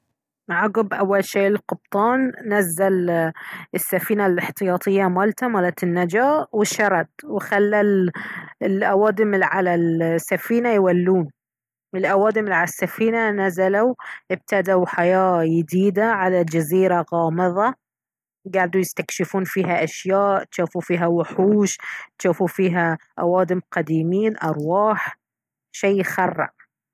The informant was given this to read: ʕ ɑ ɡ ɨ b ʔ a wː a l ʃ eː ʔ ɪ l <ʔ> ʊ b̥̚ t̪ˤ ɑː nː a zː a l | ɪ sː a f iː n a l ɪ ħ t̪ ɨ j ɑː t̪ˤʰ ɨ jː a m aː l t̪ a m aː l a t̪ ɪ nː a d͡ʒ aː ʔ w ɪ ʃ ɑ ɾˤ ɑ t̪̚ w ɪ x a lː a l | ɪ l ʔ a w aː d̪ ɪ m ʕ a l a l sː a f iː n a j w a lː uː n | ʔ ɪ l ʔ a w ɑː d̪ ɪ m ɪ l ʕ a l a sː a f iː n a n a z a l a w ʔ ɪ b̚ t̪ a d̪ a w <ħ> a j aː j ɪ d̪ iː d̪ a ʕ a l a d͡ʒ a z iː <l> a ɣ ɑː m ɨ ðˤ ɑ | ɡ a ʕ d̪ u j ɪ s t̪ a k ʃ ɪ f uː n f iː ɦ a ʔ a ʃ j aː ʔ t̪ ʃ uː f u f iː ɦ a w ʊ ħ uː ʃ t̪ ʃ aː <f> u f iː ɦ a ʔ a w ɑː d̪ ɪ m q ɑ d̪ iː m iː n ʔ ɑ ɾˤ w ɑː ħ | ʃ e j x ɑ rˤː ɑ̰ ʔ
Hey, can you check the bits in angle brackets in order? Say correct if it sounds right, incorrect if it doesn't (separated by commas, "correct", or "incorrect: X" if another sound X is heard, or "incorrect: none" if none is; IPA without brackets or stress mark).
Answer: incorrect: q, correct, incorrect: ɾ, correct